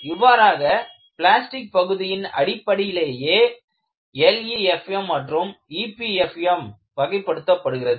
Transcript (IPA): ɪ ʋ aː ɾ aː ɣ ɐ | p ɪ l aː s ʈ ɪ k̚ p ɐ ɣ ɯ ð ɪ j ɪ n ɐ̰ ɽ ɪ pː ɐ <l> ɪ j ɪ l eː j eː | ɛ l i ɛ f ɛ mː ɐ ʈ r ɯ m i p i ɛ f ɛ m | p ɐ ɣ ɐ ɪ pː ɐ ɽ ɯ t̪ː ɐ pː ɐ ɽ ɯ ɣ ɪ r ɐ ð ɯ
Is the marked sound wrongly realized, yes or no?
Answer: yes